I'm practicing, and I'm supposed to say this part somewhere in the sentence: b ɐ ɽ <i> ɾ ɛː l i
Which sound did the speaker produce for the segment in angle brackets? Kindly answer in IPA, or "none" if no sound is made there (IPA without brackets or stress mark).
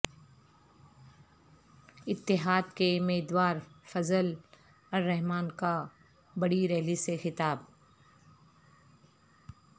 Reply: i